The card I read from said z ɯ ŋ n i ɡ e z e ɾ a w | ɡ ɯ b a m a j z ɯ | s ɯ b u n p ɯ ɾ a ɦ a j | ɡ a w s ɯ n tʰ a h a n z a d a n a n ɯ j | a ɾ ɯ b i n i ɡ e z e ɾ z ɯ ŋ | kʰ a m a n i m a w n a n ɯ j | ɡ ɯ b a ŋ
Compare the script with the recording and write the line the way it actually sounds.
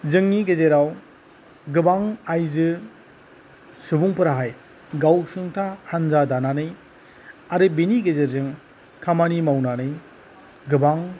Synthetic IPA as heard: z ɯ ŋ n i ɡ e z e ɾ a w | ɡ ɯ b a ŋ a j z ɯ | s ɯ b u ŋ p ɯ ɾ a ɦ a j | ɡ a w s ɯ ŋ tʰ a h a n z a d a n a n ɯ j | a ɾ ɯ b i n i ɡ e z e ɾ z ɯ ŋ | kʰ a m a n i m a w n a n ɯ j | ɡ ɯ b a ŋ